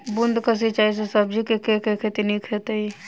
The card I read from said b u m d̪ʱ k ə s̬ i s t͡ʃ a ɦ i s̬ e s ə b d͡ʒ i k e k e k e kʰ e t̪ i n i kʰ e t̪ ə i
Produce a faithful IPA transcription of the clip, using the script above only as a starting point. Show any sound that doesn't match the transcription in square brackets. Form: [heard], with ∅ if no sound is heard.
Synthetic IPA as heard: b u [n] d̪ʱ k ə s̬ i [∅] t͡ʃ a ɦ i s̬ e s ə b d͡ʒ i k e k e k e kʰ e t̪ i n i kʰ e t̪ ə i